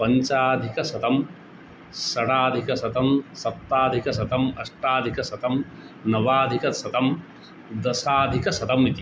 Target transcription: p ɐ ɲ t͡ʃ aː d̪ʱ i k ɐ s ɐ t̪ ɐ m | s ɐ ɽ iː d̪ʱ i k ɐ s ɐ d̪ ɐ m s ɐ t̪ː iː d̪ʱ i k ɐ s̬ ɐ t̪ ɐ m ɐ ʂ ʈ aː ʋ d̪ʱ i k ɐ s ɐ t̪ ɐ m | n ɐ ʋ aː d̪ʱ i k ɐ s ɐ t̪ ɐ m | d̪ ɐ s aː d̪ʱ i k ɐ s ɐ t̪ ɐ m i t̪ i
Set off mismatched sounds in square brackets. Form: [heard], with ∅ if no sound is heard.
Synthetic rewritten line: p ɐ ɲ t͡ʃ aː d̪ʱ i k ɐ s ɐ t̪ ɐ m | s ɐ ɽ [aː] d̪ʱ i k ɐ s ɐ [t̪] ɐ m s ɐ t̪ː [aː] d̪ʱ i k ɐ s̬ ɐ t̪ ɐ m ɐ ʂ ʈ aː [∅] d̪ʱ i k ɐ s ɐ t̪ ɐ m | n ɐ ʋ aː d̪ʱ i k ɐ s ɐ t̪ ɐ m | d̪ ɐ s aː d̪ʱ i k ɐ s ɐ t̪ ɐ m i t̪ i